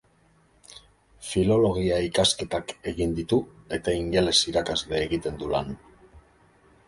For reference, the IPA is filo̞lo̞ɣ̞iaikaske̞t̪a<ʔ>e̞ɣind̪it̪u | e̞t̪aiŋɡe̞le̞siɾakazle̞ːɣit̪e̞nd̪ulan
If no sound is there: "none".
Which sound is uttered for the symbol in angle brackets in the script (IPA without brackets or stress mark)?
k